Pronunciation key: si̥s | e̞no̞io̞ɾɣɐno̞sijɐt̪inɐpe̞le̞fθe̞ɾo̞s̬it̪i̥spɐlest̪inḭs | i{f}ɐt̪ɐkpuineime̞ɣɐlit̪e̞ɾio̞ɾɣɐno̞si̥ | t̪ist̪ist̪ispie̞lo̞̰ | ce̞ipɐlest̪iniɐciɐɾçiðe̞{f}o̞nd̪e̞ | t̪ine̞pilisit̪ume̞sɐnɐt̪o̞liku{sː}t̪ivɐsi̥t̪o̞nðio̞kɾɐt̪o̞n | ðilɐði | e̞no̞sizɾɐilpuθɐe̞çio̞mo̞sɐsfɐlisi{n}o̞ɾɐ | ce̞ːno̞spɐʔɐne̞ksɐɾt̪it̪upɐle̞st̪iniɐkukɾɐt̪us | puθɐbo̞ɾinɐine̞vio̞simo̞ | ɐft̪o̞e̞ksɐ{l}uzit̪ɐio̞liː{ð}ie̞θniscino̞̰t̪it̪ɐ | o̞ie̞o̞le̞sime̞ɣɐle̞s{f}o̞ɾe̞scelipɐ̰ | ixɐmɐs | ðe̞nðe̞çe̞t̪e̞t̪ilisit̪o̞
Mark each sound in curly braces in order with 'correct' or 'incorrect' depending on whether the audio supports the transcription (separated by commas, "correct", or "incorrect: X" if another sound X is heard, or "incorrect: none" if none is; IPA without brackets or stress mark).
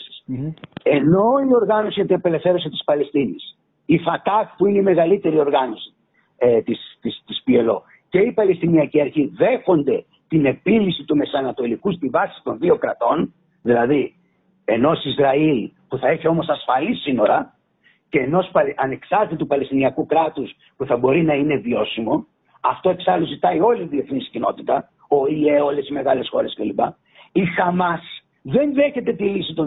correct, incorrect: x, incorrect: s, correct, correct, correct, incorrect: x